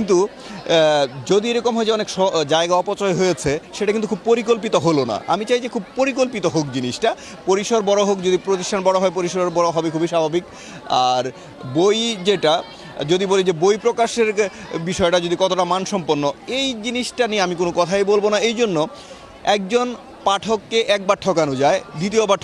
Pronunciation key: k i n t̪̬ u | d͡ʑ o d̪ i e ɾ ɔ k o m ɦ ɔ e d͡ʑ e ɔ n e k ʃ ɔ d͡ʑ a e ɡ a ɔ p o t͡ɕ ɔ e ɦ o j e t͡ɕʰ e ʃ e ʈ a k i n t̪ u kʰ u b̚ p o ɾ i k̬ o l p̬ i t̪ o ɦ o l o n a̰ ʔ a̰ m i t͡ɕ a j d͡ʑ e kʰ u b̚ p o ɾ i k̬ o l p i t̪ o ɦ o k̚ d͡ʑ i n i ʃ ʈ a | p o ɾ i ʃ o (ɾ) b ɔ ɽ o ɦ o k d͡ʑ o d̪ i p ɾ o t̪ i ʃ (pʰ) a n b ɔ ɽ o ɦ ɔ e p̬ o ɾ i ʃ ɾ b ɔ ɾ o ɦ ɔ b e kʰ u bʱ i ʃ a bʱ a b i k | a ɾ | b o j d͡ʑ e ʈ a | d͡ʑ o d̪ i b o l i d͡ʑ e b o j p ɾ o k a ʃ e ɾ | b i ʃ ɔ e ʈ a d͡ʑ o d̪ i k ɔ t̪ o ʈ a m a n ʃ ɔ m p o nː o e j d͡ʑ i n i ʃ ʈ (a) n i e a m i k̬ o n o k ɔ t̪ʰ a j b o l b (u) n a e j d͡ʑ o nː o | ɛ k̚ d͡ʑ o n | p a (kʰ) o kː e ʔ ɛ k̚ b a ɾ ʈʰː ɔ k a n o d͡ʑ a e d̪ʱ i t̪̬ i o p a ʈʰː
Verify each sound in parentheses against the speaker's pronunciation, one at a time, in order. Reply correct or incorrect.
correct, incorrect, correct, incorrect, incorrect

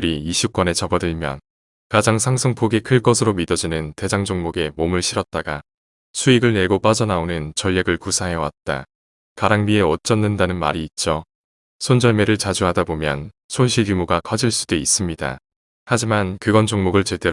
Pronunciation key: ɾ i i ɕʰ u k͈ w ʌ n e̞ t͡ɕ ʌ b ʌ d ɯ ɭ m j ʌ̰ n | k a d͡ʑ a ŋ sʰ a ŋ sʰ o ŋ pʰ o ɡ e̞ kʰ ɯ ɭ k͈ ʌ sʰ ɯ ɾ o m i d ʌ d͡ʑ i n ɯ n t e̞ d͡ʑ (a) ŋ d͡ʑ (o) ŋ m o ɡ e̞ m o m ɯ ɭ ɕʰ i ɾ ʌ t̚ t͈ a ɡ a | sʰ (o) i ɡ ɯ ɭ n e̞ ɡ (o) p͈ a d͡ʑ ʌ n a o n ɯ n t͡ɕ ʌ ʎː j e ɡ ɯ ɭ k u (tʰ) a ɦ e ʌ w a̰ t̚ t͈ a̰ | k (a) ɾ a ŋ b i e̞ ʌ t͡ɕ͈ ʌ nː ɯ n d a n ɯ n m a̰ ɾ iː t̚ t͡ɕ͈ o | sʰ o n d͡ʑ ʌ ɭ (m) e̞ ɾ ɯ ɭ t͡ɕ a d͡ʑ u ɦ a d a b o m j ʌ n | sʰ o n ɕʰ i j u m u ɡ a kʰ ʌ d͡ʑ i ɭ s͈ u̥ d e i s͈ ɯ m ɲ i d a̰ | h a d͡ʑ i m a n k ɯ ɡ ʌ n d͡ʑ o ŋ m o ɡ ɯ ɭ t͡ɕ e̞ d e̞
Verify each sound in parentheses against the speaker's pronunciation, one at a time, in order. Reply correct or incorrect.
correct, correct, incorrect, correct, incorrect, correct, correct

